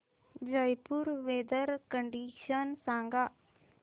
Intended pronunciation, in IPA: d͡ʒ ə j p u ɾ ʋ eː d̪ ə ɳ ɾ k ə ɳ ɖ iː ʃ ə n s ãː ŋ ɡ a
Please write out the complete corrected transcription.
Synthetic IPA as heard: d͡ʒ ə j p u ɾ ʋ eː d̪ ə ɾ k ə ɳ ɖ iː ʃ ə n s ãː ŋ ɡ a